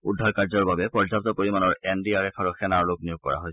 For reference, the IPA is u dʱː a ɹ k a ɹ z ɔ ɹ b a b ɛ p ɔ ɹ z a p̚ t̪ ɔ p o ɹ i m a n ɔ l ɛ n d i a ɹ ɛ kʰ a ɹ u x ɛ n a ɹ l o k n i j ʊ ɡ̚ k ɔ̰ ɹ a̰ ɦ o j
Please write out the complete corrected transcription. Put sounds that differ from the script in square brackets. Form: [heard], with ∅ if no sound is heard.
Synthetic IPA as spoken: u dʱː a ɹ k a ɹ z ɔ ɹ b a b ɛ p ɔ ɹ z a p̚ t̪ ɔ p o ɹ i m a n ɔ [ɹ] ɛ n d i a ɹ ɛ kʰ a ɹ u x ɛ n a ɹ l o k n i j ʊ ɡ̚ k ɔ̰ ɹ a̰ ɦ o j